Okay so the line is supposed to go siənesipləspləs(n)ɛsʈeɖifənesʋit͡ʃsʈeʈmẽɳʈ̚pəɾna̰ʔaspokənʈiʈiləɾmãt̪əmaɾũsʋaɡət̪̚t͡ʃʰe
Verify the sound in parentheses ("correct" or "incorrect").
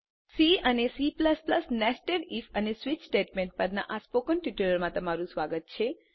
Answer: correct